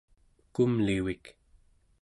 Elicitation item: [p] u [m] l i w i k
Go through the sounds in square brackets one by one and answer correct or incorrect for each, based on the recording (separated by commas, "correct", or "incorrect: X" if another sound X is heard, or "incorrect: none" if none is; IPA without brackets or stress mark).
incorrect: k, correct